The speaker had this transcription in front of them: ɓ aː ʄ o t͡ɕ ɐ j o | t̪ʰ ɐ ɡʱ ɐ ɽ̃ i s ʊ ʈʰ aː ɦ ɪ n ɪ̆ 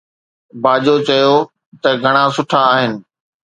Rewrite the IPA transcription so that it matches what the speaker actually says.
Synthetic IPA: b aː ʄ o t͡ɕ ɐ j o | t̪ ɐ ɡʱ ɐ ɽ̃ a s ʊ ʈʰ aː ɦ ɪ n ɪ̆

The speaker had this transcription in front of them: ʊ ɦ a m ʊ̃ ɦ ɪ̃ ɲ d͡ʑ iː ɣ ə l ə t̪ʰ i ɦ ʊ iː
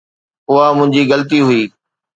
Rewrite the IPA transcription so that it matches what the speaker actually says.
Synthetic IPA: ʊ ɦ a m ʊ̃ ɦ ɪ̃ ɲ d͡ʑ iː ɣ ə l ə t̪ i ɦ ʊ iː

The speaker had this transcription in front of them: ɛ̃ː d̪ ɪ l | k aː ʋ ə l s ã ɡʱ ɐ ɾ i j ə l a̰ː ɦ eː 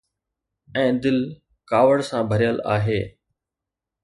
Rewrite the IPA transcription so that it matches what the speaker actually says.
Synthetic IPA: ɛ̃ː d̪ ɪ l | k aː ʋ ə ɽ s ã bʱ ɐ ɾ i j ə l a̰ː ɦ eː

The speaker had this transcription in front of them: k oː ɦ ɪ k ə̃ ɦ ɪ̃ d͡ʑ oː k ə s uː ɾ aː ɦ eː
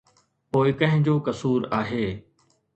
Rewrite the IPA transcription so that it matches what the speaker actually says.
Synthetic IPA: p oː ɪ k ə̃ ɦ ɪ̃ d͡ʑ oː k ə s uː ɾ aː ɦ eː

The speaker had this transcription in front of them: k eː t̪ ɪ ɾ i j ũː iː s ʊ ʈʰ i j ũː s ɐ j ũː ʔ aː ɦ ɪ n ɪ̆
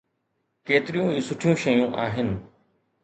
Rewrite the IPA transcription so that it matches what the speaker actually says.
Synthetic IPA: k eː t̪ ɪ ɾ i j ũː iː s ʊ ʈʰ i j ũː ʃ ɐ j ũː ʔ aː ɦ ɪ n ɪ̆

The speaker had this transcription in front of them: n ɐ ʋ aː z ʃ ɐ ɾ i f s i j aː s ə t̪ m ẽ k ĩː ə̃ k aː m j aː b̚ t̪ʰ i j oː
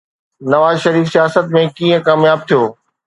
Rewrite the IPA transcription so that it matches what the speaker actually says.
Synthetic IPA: n ɐ ʋ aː z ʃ ɐ ɾ iː f s i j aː s ə t̪ m ẽ k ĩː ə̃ k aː m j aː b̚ t̪ʰ i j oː

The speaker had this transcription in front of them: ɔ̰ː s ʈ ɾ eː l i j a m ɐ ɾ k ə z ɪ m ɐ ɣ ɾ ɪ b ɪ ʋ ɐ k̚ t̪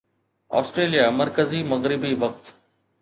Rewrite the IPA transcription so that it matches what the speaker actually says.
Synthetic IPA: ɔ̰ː s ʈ ɾ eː l i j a m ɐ ɾ k ə z i m ɐ ɣ ɾ ɪ b i ʋ ɐ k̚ t̪

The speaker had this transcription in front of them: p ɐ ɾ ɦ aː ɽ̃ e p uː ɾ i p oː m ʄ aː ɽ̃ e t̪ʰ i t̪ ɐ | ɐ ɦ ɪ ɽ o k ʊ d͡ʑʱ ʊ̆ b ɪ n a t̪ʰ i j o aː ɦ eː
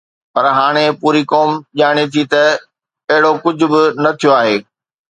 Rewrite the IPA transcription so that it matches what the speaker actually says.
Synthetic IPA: p ɐ ɾ ɦ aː ɽ̃ e p uː ɾ i k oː m ʄ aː ɽ̃ e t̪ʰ i t̪ ɐ | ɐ ɦ ɪ ɽ o k ʊ d͡ʑʱ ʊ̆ b ɪ n ɐ t̪ʰ i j o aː ɦ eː

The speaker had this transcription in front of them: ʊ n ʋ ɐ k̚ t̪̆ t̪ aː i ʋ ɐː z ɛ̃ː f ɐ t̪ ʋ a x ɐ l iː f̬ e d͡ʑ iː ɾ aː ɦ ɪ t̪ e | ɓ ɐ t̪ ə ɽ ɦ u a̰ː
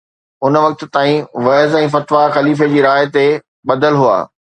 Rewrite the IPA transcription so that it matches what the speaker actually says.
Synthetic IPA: ʊ n ʋ ɐ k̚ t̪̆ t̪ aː ĩ ʋ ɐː z ɛ̃ː f ɐ t̪ ʋ a x ɐ l iː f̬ e d͡ʑ iː ɾ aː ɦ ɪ t̪ e | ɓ ɐ d̪ ə l ɦ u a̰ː

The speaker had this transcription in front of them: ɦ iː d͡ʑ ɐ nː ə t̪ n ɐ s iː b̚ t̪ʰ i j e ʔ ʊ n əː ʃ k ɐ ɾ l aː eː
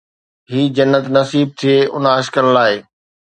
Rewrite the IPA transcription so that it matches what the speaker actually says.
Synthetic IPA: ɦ iː d͡ʑ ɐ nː ə t̪ n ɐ s iː b̚ t̪ʰ i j e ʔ ʊ n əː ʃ k ə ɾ l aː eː

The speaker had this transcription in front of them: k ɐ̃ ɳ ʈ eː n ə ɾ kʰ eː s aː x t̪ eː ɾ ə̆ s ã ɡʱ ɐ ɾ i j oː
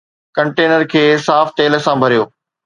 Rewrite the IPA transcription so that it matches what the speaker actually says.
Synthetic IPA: k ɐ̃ ɳ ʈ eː n ə ɾ kʰ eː s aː f t̪ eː l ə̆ s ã bʱ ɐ ɾ i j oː

